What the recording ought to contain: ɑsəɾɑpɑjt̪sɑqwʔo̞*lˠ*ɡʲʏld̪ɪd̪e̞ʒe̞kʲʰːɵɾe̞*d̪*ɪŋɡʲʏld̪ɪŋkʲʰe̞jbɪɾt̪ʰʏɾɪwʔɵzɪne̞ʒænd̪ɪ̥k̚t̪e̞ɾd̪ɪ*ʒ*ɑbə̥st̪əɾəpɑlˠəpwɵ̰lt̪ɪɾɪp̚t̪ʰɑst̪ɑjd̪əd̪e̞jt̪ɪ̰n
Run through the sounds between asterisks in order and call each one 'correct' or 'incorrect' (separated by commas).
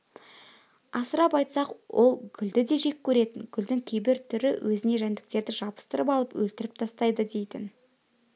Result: correct, incorrect, correct